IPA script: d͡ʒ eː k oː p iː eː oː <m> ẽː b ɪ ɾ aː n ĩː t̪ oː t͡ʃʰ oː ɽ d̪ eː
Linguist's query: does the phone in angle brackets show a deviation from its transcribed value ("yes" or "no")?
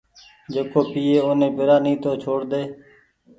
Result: yes